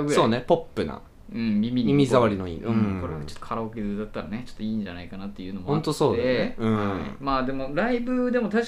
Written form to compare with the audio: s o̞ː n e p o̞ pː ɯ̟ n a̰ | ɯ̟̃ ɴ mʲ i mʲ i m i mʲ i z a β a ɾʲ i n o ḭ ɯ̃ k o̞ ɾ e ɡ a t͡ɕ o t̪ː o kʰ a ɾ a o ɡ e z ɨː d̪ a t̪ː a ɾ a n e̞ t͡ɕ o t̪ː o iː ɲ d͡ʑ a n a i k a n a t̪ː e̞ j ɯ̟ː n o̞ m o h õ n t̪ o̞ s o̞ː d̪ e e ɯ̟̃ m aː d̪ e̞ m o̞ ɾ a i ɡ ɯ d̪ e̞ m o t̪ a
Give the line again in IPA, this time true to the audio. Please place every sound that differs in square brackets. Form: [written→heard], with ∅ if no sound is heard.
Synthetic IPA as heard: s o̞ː n e p o̞ pː ɯ̟ n a̰ | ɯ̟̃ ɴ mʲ i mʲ i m i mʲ i z a β a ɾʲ i n o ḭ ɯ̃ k o̞ ɾ e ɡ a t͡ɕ o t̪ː o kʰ a ɾ a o [ɡ→k] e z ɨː d̪ a t̪ː a ɾ a n e̞ t͡ɕ o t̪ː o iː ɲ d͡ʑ a n a i k a n a t̪ː e̞ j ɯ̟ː n o̞ m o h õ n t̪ o̞ s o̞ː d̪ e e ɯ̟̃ m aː d̪ e̞ m o̞ ɾ a i [ɡ→b] ɯ d̪ e̞ m o t̪ a